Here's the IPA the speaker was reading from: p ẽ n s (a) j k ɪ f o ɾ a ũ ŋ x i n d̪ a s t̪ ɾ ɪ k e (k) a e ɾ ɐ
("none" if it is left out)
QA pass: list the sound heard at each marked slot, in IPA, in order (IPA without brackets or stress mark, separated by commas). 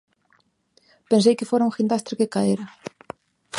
e, k